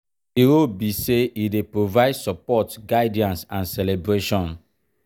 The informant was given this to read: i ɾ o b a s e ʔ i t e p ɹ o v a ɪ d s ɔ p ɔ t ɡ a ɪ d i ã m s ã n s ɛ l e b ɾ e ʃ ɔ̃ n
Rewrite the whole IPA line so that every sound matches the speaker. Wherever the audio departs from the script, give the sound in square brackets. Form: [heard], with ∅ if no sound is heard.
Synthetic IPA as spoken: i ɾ o b [i] s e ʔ i [d] e p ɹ o v a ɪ d s ɔ p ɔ t ɡ a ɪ d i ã [n] s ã n s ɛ l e b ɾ e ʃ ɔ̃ n